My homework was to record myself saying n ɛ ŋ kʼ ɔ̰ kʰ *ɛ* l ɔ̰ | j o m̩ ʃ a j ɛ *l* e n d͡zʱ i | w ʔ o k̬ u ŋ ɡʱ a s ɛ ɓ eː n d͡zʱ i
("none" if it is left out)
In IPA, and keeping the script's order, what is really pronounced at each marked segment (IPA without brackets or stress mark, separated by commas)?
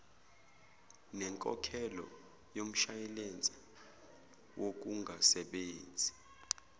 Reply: ɛ, l